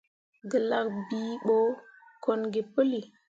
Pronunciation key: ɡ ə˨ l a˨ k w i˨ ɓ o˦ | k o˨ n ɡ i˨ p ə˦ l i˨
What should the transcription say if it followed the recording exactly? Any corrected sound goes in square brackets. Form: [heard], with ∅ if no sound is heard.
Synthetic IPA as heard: ɡ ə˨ l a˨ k [b] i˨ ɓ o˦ | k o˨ n ɡ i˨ p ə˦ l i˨